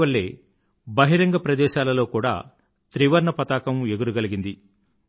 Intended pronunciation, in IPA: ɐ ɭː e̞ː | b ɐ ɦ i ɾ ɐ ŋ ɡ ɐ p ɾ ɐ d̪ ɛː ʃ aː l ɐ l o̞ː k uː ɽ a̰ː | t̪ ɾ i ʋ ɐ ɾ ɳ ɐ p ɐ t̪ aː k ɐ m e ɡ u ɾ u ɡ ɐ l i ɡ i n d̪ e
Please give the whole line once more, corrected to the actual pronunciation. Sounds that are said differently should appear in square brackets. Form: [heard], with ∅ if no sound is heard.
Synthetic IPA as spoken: ɐ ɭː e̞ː | b ɐ ɦ i ɾ ɐ ŋ ɡ ɐ p ɾ ɐ d̪ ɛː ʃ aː l ɐ l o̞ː k uː ɽ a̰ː | t̪ ɾ i ʋ ɐ ɾ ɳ ɐ p ɐ t̪ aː k ɐ m e ɡ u ɾ u ɡ ɐ l i ɡ i n d̪ [i]